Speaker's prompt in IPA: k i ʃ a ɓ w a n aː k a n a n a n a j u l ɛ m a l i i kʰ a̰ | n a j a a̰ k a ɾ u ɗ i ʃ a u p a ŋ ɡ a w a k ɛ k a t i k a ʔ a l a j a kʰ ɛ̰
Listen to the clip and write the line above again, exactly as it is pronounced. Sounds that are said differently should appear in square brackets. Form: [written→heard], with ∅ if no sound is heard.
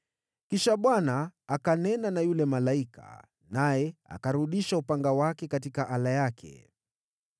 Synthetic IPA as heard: k i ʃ a ɓ w a n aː k a n [a→ɛ] n a n a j u l ɛ m a l [i→a] i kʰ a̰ | n a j [a→ɛ] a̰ k a ɾ u ɗ i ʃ a u p a ŋ ɡ a w a k ɛ k a t i k a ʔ a l a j a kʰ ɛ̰